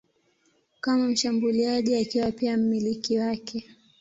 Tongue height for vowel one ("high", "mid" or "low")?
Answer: low